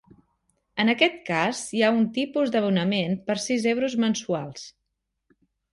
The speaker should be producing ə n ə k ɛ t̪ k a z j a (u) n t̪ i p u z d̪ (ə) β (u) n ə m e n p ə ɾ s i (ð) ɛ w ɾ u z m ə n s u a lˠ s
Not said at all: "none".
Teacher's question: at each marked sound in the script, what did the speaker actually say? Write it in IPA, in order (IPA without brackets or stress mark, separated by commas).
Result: u, ə, u, z